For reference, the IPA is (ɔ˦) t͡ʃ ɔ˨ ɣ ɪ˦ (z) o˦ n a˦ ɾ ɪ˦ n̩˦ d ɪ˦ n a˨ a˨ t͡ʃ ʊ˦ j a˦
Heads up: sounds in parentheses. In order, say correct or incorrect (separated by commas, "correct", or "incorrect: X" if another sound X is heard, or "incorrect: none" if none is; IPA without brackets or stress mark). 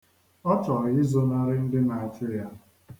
correct, correct